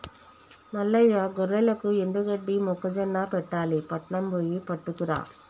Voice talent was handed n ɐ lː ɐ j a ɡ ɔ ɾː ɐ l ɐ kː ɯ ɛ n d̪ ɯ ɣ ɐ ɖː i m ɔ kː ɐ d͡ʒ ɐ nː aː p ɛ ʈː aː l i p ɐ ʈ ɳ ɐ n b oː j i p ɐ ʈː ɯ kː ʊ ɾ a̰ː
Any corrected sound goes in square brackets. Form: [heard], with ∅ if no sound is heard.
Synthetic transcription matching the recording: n ɐ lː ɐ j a ɡ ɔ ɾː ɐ l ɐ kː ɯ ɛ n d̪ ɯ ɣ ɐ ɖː i m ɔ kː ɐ d͡ʒ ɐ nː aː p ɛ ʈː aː l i p ɐ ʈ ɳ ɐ [m] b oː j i p ɐ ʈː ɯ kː [ɯ] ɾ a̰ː

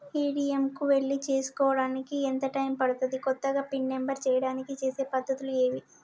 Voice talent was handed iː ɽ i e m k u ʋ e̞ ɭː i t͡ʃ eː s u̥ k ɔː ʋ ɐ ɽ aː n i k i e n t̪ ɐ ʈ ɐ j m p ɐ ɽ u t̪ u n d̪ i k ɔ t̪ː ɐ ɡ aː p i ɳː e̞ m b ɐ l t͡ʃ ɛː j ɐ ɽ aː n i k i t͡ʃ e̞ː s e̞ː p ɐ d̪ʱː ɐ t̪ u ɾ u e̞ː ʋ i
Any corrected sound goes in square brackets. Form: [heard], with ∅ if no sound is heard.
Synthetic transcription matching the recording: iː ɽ i e m k u ʋ e̞ ɭː i t͡ʃ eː s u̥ k ɔː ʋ ɐ ɽ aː n i k i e n t̪ ɐ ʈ ɐ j m p ɐ ɽ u t̪ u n d̪ i k ɔ t̪ː ɐ ɡ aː p i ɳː e̞ m b ɐ [ɾ] t͡ʃ ɛː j ɐ ɽ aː n i k i t͡ʃ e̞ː s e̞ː p ɐ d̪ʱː ɐ t̪ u [l] u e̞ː ʋ i

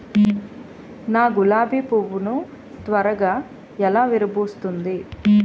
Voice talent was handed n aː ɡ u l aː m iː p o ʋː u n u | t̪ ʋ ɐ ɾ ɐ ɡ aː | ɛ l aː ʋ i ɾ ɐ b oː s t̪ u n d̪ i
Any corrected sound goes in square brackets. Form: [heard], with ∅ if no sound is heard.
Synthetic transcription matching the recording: n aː ɡ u l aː [b] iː p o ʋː u n u | t̪ ʋ ɐ ɾ ɐ ɡ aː | ɛ l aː ʋ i ɾ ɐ b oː s t̪ u n d̪ i

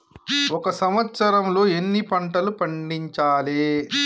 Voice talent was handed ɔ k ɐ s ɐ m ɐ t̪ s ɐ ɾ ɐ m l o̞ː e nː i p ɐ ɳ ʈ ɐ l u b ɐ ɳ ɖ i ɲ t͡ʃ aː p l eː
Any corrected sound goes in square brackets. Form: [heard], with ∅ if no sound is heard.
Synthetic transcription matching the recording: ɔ k ɐ s ɐ m ɐ t̪ s ɐ ɾ ɐ m l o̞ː e nː i p ɐ ɳ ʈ ɐ l u [p] ɐ ɳ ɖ i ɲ t͡ʃ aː [∅] l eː

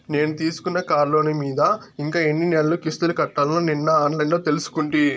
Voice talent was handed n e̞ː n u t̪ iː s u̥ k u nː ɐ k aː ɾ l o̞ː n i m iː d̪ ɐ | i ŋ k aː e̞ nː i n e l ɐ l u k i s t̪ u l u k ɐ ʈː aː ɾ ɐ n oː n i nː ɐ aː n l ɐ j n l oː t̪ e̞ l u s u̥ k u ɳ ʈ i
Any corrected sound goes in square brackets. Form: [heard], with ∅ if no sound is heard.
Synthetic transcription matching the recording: n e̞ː n u t̪ iː s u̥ k u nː ɐ k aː ɾ l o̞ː n i m iː d̪ ɐ | i ŋ k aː e̞ nː i n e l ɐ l u k i s t̪ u l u k ɐ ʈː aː [l] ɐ n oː n i nː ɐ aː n l ɐ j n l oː t̪ e̞ l u s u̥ k u ɳ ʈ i

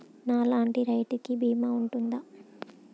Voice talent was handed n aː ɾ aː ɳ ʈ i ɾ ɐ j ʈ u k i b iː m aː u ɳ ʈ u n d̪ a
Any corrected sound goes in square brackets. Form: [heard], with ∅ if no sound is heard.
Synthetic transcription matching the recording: n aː [l] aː ɳ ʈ i ɾ ɐ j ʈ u k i b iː m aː u ɳ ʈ u n d̪ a

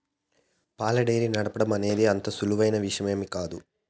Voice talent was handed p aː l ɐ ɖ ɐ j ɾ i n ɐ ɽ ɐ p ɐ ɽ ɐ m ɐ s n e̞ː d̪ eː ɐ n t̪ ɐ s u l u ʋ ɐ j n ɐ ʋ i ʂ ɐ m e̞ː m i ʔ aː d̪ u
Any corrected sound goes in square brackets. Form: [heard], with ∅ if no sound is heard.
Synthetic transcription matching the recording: p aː l ɐ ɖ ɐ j ɾ i n ɐ ɽ ɐ p ɐ ɽ ɐ m ɐ [∅] n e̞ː d̪ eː ɐ n t̪ ɐ s u l u ʋ ɐ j n ɐ ʋ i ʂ ɐ m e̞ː m i [k] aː d̪ u

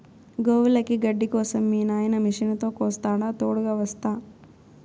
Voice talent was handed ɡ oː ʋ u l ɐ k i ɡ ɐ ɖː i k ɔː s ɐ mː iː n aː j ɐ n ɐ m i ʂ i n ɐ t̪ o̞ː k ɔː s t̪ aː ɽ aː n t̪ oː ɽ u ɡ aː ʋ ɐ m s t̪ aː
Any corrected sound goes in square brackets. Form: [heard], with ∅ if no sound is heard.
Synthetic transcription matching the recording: ɡ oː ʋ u l ɐ k i ɡ ɐ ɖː i k ɔː s ɐ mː iː n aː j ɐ n ɐ m i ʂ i n ɐ t̪ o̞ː k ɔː s t̪ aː ɽ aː [∅] t̪ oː ɽ u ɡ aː ʋ ɐ [∅] s t̪ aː

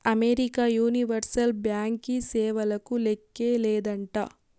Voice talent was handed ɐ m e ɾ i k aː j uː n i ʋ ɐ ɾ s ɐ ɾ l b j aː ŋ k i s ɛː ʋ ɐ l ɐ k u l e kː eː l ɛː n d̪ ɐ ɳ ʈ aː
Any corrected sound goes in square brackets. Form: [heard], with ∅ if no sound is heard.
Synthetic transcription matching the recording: ɐ m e ɾ i k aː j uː n i ʋ ɐ ɾ s ɐ [∅] l b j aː ŋ k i s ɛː ʋ ɐ l ɐ k u l e kː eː l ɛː [∅] d̪ ɐ ɳ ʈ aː

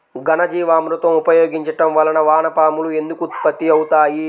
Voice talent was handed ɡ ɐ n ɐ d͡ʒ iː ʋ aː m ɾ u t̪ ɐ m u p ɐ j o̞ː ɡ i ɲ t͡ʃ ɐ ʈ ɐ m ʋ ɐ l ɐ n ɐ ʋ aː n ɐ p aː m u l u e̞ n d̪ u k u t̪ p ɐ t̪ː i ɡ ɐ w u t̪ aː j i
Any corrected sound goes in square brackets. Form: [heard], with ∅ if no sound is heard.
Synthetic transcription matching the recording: ɡ ɐ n ɐ d͡ʒ iː ʋ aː m ɾ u t̪ ɐ m u p ɐ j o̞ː ɡ i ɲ t͡ʃ ɐ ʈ ɐ m ʋ ɐ l ɐ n ɐ ʋ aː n ɐ p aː m u l u e̞ n d̪ u k u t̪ p ɐ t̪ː i [∅] ɐ w u t̪ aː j i

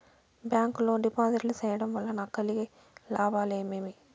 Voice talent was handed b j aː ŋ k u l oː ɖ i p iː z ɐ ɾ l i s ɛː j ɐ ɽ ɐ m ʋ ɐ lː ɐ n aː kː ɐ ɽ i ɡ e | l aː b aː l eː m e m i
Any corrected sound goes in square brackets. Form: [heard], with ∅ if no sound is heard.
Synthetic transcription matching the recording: b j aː ŋ k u l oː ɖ i p [aː] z ɐ ɾ l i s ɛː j ɐ ɽ ɐ m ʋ ɐ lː ɐ n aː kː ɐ [l] i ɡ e | l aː b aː l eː m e m i

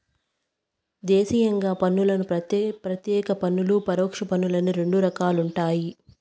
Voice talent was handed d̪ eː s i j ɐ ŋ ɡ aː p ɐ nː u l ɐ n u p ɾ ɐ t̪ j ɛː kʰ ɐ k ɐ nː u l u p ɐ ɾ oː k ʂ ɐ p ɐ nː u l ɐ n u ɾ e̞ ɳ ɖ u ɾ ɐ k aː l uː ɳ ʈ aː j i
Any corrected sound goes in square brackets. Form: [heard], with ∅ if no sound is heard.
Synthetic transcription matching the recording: d̪ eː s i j ɐ ŋ ɡ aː p ɐ nː u l ɐ n u p ɾ ɐ t̪ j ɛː [k] ɐ [p] ɐ nː u l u p ɐ ɾ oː k ʂ ɐ p ɐ nː u l ɐ n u ɾ e̞ ɳ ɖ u ɾ ɐ k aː l [u] ɳ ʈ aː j i

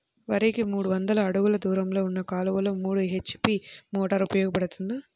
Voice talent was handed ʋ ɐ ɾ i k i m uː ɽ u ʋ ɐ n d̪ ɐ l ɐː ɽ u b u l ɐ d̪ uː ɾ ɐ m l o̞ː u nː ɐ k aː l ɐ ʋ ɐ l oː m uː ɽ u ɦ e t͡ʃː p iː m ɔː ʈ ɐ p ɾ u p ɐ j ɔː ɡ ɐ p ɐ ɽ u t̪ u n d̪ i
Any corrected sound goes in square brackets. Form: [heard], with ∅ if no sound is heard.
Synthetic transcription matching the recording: ʋ ɐ ɾ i k i m uː ɽ u ʋ ɐ n d̪ ɐ l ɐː ɽ u [ɡ] u l ɐ d̪ uː ɾ ɐ m l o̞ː u nː ɐ k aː l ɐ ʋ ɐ l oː m uː ɽ u ɦ e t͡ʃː p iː m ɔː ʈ ɐ [∅] ɾ u p ɐ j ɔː ɡ ɐ p ɐ ɽ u t̪ u n d̪ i

